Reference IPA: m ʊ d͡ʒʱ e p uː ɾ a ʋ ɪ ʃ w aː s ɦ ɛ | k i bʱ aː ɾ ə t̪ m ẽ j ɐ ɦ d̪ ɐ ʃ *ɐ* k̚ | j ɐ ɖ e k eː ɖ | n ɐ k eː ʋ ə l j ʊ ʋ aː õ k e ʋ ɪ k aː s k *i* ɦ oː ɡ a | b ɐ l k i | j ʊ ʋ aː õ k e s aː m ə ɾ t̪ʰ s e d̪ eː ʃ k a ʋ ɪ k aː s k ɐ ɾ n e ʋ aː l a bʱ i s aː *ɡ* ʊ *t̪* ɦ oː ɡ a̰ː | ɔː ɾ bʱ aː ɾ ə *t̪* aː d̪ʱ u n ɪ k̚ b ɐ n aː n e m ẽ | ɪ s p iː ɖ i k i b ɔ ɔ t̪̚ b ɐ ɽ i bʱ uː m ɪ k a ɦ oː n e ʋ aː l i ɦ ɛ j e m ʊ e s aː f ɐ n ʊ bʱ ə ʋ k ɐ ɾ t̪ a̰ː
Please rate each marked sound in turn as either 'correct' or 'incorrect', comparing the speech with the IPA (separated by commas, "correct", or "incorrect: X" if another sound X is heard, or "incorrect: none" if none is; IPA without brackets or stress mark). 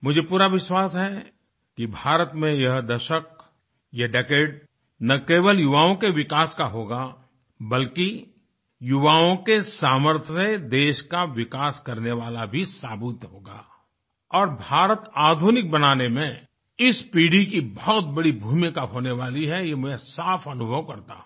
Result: incorrect: ə, incorrect: a, incorrect: b, correct, correct